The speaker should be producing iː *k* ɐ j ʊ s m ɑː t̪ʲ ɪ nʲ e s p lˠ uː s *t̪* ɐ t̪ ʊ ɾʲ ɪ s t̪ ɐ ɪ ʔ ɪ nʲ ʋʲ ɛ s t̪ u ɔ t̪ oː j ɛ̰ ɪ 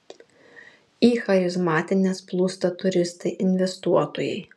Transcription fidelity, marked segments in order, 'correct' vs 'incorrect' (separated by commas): incorrect, correct